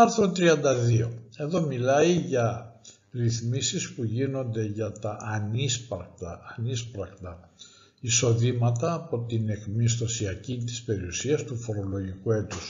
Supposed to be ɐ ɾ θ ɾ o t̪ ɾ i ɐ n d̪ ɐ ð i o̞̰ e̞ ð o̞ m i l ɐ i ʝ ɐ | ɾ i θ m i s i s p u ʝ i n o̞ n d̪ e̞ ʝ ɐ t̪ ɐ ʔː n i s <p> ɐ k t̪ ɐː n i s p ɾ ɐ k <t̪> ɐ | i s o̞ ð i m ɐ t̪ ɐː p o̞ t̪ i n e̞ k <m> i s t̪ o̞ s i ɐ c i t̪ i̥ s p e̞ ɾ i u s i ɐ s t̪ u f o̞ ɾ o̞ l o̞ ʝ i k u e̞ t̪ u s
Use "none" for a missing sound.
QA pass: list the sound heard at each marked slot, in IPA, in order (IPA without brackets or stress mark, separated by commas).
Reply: p, t̪, m